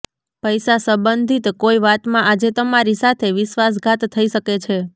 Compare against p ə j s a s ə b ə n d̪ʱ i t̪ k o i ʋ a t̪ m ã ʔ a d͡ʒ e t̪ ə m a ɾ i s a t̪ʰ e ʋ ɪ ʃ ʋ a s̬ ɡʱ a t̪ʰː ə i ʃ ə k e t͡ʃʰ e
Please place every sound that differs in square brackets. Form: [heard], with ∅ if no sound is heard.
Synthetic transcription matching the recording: p ə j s a s ə b ə n d̪ʱ i t̪ k o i ʋ a t̪ m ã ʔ a d͡ʒ e t̪ ə m a ɾ i s a t̪ʰ e ʋ ɪ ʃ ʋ a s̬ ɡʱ a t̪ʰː ə i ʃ ə k e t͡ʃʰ e